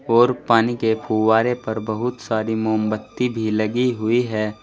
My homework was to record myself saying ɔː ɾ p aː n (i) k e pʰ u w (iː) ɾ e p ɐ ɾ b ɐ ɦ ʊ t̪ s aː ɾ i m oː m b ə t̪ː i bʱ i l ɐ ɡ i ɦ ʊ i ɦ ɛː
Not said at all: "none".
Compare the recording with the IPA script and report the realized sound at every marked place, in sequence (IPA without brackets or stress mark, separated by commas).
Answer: i, aː